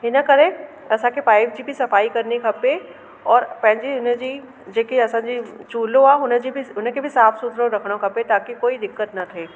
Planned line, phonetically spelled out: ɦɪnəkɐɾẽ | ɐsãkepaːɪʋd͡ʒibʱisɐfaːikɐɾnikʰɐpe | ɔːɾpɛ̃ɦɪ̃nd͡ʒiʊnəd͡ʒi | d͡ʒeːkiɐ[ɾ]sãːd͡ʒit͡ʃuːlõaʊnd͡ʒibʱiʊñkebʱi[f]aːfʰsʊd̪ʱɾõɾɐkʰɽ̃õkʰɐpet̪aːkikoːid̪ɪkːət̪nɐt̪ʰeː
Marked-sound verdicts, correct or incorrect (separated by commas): incorrect, incorrect